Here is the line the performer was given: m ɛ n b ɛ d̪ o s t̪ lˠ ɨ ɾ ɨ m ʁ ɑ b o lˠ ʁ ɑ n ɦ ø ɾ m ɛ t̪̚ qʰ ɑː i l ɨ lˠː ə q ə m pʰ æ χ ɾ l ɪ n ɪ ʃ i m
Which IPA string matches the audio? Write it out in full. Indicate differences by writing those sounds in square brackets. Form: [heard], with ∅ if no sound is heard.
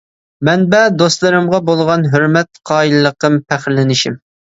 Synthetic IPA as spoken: m ɛ n b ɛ d̪ o s t̪ lˠ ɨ ɾ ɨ m ʁ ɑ b o lˠ ʁ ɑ n ɦ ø ɾ m ɛ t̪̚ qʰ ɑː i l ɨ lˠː ə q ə m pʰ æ χ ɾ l ɪ n ɪ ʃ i m